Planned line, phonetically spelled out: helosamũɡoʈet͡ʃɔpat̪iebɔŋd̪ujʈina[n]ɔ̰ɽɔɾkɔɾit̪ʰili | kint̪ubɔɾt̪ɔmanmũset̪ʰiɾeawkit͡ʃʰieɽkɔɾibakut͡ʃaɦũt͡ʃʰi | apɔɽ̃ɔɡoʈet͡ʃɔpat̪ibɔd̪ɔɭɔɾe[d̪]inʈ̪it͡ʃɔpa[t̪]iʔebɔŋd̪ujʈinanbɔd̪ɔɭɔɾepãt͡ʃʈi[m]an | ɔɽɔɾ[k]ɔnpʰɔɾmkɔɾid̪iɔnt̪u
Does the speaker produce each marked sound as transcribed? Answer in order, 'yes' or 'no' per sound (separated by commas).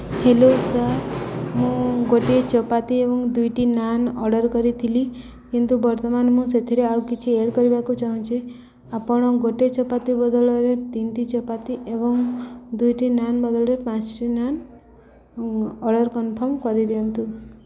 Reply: yes, no, yes, no, yes